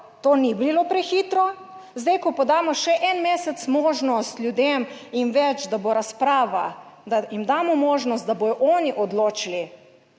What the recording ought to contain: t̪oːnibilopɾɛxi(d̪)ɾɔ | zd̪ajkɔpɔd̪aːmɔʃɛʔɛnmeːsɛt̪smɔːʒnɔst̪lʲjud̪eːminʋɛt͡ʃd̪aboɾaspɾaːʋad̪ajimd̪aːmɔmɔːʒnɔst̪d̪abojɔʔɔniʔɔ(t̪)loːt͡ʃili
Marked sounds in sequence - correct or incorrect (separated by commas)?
incorrect, incorrect